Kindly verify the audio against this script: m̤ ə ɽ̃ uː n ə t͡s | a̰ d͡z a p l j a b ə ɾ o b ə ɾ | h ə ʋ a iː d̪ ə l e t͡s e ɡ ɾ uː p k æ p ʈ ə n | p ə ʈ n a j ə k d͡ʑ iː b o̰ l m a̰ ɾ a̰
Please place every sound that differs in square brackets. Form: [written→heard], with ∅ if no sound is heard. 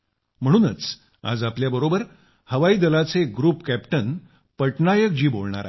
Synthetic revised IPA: m̤ ə ɽ̃ uː n ə t͡s | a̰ d͡z a p l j a b ə ɾ o b ə ɾ | h ə ʋ a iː d̪ ə l [e→a] t͡s e ɡ ɾ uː p k æ p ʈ ə n | p ə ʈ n a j ə k d͡ʑ iː b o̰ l [m→ɳ] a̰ ɾ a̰